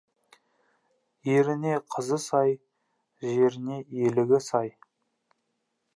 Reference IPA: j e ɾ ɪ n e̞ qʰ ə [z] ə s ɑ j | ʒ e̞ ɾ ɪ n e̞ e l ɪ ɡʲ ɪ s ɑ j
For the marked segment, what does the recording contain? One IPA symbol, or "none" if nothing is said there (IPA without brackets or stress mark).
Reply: z